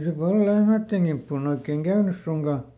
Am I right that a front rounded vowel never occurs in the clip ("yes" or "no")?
no